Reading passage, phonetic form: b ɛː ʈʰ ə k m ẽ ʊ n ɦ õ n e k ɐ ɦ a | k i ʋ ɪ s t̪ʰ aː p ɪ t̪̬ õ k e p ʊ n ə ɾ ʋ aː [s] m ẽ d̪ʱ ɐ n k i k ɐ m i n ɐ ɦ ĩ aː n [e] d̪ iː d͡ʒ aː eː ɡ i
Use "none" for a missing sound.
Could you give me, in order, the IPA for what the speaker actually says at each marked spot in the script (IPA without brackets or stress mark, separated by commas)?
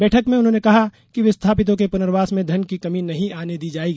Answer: s, e